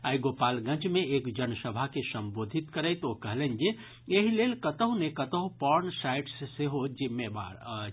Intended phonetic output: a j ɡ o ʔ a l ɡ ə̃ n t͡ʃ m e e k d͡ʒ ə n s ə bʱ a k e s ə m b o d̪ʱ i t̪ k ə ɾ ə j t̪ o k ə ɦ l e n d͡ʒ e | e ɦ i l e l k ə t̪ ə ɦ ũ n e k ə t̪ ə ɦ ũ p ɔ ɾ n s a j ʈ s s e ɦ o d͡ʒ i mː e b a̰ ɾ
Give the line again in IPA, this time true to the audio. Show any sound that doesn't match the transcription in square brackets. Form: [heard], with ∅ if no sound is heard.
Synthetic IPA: a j ɡ o [p] a l ɡ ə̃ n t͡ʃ m e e k d͡ʒ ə n s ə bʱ a k e s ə m b o d̪ʱ i t̪ k ə ɾ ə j t̪ o k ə ɦ l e n d͡ʒ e | e ɦ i l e l k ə t̪ ə ɦ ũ n e k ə t̪ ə ɦ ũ p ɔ ɾ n s a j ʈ s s e ɦ o d͡ʒ i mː e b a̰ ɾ